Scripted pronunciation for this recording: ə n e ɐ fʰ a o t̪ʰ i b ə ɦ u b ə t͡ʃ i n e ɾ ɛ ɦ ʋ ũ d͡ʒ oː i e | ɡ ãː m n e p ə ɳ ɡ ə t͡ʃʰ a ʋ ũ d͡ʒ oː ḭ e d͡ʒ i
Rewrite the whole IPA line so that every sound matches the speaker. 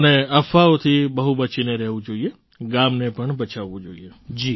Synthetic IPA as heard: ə n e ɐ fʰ a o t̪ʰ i b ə ɦ u b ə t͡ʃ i n e ɾ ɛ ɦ ʋ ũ d͡ʒ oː i e | ɡ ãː m n e p ə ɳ b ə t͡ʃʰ a ʋ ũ d͡ʒ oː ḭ e d͡ʒ i

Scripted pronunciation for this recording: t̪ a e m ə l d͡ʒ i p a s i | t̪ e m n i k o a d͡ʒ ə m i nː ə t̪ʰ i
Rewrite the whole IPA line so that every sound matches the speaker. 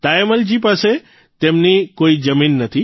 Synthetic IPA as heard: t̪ a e m ə l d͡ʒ i p a s e | t̪ e m n i k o i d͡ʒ ə m i nː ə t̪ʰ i

